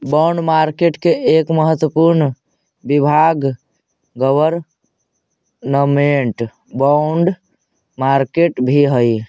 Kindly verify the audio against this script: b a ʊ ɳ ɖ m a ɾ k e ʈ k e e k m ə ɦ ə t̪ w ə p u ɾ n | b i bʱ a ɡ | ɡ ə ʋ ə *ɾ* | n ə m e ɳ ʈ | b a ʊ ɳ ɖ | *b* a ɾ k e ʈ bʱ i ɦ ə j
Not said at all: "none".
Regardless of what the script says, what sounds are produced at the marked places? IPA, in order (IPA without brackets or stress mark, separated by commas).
ɾ, m